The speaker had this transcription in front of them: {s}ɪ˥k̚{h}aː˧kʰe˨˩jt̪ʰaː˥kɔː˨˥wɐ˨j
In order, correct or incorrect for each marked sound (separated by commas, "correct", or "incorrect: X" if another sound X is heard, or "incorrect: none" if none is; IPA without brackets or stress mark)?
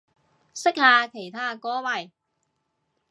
correct, correct